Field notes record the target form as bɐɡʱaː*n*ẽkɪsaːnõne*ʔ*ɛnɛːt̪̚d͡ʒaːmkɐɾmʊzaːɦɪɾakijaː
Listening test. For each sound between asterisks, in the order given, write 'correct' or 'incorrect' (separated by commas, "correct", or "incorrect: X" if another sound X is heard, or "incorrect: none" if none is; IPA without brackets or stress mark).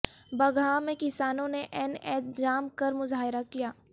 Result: incorrect: m, correct